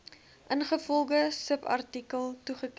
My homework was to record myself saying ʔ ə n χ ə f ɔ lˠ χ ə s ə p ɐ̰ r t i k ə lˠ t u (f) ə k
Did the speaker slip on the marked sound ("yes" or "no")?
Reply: yes